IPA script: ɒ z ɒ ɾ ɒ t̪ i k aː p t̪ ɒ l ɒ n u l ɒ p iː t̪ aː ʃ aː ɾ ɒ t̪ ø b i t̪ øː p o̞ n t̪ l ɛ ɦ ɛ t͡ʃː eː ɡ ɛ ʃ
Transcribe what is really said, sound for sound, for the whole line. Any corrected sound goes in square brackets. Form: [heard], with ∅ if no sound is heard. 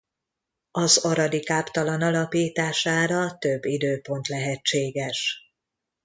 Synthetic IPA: ɒ z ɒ ɾ ɒ [d̪] i k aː p t̪ ɒ l ɒ n [ɒ] l ɒ p iː t̪ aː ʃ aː ɾ ɒ t̪ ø [bː] i [d̪] øː p o̞ n t̪ l ɛ ɦ ɛ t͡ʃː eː ɡ ɛ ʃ